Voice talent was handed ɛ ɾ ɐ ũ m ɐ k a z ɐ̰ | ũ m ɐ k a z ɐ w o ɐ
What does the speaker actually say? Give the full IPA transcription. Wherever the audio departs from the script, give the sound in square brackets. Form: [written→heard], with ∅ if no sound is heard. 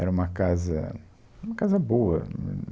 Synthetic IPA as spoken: ɛ ɾ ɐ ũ m ɐ k a z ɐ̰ | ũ m ɐ k a z ɐ [w→b] o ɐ